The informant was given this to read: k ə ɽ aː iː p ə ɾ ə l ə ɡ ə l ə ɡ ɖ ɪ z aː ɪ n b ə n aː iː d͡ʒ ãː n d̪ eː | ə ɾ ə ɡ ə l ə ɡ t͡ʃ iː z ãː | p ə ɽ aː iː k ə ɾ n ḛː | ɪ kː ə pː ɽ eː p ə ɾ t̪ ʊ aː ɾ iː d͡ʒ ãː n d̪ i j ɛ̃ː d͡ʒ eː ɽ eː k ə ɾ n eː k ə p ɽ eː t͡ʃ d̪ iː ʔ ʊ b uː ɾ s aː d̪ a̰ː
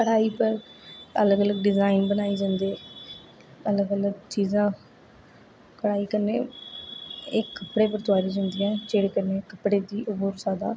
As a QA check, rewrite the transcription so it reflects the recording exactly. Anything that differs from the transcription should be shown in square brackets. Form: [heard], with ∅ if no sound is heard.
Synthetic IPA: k ə ɽ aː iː p ə ɾ ə l ə ɡ ə l ə ɡ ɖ ɪ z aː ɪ n b ə n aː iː d͡ʒ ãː n d̪ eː | ə [l] ə ɡ ə l ə ɡ t͡ʃ iː z ãː | [k] ə ɽ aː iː k ə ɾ n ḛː | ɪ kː ə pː ɽ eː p ə ɾ t̪ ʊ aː ɾ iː d͡ʒ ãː n d̪ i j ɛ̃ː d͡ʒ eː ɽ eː k ə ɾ n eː k ə p ɽ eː [∅] d̪ iː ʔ ʊ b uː ɾ s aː d̪ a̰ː